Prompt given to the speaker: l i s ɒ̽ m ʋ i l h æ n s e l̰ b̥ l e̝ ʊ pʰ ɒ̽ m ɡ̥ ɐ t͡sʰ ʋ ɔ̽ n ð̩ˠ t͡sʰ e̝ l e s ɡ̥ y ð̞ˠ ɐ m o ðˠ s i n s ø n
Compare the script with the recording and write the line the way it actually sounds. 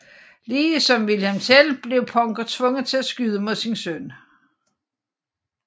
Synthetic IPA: l iː s ɒ̽ m ʋ i l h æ m s e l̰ b̥ l e̝ ʊ pʰ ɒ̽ ŋ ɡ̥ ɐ t͡sʰ ʋ ɔ̽ ŋ ð̩ˠ t͡sʰ e̝ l æ s ɡ̥ y ð̞ˠ ə m o ðˠ s i n s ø n